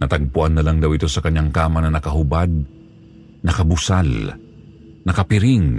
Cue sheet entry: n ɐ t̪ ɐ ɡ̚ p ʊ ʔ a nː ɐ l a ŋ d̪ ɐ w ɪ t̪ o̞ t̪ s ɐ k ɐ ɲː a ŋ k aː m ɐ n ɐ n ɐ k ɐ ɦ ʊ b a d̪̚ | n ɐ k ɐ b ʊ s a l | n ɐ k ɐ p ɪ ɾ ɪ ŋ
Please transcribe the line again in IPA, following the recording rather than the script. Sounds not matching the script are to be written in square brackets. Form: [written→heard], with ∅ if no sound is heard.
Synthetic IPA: n ɐ t̪ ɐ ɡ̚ p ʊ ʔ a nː ɐ l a ŋ d̪ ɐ w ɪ t̪ o̞ [t̪→∅] s ɐ k ɐ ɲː a ŋ k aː m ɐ n ɐ n ɐ k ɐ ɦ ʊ b a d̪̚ | n ɐ k ɐ b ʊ s a l | n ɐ k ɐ p ɪ ɾ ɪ ŋ